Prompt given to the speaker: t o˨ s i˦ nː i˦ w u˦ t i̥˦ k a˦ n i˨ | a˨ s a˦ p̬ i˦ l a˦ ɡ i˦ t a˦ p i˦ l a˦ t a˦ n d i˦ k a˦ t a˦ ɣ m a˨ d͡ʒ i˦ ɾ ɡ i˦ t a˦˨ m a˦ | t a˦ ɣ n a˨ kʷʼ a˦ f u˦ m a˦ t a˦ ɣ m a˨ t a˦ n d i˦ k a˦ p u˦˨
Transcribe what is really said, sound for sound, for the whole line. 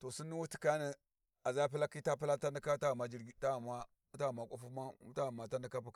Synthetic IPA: t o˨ s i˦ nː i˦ w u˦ t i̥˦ k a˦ n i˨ | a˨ z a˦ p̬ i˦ l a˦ k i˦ t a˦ p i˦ l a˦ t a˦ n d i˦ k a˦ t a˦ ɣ m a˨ d͡ʒ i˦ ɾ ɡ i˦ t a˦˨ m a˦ | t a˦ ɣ m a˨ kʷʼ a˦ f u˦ m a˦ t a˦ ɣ m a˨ t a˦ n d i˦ k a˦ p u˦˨